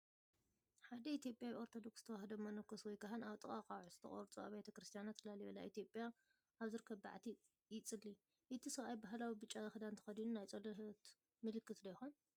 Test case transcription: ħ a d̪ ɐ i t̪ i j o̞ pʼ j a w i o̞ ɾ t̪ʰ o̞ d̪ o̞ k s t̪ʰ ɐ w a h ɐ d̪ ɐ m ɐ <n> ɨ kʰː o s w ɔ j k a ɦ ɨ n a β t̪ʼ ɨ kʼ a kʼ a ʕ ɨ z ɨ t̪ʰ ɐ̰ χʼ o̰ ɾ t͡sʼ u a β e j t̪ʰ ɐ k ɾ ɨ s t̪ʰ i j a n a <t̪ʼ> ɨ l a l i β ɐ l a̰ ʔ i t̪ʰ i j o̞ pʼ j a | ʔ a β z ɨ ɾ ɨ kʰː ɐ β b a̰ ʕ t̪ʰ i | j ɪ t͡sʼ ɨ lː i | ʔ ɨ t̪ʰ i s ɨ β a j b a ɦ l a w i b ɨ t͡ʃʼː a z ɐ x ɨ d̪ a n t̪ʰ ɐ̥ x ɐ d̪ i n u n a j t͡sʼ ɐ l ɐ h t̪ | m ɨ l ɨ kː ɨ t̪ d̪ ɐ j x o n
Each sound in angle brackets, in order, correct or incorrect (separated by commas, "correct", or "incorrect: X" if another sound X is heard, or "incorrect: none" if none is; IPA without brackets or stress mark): correct, incorrect: t̪